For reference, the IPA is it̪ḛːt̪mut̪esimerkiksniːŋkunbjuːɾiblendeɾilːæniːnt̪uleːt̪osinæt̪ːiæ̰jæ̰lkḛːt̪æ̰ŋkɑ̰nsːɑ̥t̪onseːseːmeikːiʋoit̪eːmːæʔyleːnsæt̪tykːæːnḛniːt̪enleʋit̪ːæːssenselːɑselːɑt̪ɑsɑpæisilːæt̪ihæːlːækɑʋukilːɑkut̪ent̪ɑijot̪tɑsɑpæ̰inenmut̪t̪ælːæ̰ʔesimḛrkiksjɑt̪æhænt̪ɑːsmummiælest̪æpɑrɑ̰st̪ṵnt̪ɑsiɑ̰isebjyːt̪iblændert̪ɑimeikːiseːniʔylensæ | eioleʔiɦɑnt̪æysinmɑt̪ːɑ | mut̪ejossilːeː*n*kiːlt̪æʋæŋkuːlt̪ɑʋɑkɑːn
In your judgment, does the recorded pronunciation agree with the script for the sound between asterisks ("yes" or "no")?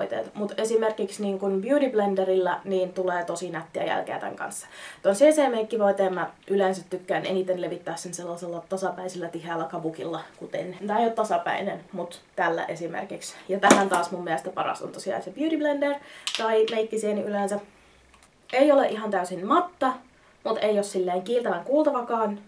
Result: no